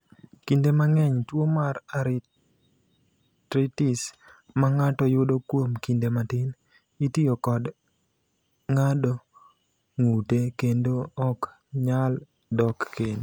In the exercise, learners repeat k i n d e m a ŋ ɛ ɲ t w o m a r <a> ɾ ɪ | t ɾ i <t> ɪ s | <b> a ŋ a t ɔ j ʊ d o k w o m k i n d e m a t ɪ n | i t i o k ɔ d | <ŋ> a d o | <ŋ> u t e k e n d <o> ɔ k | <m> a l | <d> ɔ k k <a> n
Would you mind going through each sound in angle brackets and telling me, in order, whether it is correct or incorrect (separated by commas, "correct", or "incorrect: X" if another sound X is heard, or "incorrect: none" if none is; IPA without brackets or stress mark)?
correct, correct, incorrect: m, correct, correct, correct, incorrect: ɲ, correct, incorrect: e